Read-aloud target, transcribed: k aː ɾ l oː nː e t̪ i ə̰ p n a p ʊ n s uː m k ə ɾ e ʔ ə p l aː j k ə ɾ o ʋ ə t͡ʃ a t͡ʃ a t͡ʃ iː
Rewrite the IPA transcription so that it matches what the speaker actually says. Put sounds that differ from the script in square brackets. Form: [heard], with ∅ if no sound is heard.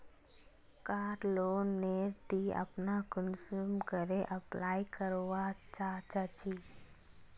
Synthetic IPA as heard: k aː ɾ l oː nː e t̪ i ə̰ p n a [k] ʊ n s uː m k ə ɾ e ʔ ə p l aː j k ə ɾ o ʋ [a] t͡ʃ a t͡ʃ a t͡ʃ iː